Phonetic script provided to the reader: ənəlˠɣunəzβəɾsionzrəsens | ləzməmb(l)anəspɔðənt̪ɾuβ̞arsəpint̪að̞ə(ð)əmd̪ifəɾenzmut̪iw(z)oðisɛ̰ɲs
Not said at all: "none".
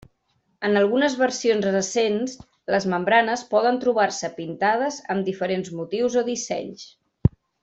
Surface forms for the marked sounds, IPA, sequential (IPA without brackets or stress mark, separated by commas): ɾ, z, z